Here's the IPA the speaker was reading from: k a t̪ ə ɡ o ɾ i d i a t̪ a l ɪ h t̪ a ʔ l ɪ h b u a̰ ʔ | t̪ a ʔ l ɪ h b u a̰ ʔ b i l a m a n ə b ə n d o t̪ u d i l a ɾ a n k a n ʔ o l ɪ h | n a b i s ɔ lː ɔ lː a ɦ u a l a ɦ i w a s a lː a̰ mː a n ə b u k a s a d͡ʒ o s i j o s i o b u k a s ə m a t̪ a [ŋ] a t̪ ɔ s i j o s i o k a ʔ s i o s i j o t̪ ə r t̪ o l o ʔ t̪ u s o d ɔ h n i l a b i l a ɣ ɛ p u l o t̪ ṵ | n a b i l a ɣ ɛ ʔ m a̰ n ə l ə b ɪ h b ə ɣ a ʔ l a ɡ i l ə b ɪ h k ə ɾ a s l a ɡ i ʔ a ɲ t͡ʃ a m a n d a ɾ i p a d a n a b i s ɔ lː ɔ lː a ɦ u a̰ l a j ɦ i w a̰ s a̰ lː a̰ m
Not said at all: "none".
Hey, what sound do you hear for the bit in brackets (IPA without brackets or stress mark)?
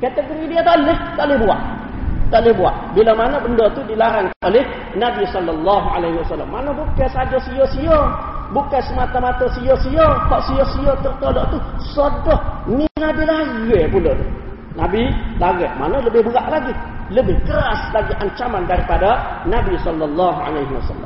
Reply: m